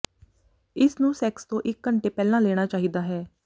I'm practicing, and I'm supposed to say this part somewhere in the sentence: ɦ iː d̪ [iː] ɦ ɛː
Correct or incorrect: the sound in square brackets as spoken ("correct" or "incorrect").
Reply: incorrect